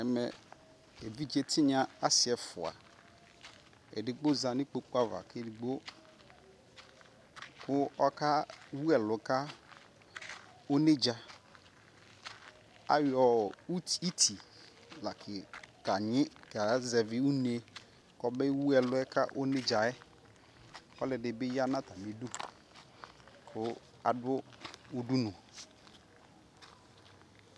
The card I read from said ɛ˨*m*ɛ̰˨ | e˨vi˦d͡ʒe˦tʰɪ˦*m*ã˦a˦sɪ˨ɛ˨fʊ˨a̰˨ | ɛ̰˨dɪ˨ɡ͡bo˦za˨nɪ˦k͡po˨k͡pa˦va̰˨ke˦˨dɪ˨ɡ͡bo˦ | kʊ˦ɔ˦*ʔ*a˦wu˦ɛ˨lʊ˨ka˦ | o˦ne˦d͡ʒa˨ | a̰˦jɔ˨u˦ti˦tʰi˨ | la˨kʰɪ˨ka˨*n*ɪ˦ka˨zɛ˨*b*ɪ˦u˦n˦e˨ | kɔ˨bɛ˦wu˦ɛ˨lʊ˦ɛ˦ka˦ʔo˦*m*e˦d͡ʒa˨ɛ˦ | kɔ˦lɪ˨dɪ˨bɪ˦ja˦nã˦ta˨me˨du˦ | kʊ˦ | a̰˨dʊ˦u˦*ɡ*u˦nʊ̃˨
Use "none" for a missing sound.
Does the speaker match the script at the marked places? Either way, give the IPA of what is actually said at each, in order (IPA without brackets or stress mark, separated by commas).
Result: m, ɲ, k, ɲ, v, n, d